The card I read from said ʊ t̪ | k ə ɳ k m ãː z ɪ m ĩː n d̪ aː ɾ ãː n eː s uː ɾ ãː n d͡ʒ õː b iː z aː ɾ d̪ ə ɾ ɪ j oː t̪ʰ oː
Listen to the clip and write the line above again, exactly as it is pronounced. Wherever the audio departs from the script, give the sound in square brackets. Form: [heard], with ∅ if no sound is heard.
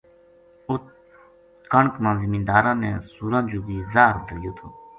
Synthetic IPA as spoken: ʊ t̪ | k ə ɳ k m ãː z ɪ m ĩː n d̪ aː ɾ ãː n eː s uː ɾ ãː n d͡ʒ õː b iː z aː ɾ d̪ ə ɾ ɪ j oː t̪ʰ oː